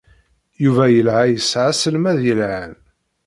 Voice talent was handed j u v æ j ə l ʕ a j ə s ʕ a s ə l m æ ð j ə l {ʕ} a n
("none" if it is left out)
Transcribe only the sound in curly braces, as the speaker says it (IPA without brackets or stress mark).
ʕ